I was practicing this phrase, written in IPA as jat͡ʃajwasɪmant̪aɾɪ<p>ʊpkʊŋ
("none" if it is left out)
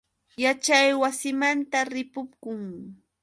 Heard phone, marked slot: p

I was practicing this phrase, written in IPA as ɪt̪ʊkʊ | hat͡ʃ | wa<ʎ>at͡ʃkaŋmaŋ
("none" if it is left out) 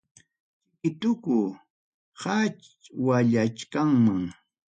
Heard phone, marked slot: ʎ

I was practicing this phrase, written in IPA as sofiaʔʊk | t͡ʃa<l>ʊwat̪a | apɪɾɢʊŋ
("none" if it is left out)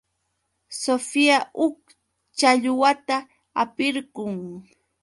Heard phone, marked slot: ʎ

